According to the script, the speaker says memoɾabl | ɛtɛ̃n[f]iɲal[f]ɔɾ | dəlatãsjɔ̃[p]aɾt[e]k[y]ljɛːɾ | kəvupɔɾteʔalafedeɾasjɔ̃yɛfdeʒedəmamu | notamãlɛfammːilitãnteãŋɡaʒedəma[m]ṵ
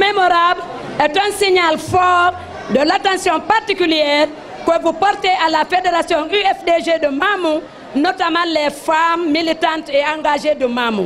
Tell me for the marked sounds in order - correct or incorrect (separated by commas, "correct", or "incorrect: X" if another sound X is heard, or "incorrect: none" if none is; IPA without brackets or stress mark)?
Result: incorrect: s, correct, correct, incorrect: i, correct, correct